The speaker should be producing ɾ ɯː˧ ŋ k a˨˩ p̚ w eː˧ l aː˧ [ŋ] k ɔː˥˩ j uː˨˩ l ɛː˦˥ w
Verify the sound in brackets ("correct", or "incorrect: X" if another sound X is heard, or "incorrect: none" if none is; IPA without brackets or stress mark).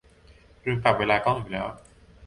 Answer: incorrect: none